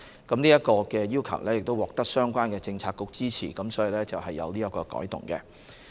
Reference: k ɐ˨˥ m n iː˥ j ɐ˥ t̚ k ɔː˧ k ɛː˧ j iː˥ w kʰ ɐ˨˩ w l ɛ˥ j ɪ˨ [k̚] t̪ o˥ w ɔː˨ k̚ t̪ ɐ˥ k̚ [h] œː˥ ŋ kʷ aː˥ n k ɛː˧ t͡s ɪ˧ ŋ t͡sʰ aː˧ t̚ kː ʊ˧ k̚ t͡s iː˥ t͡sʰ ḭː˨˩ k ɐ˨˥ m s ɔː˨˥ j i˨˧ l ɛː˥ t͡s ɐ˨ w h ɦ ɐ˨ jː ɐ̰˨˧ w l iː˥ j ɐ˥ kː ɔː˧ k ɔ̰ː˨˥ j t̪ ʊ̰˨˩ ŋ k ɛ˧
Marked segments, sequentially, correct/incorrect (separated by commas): correct, incorrect